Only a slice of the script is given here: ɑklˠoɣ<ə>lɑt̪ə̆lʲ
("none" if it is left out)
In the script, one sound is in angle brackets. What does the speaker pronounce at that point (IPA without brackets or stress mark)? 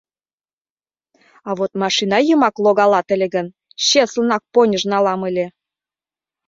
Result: ɑ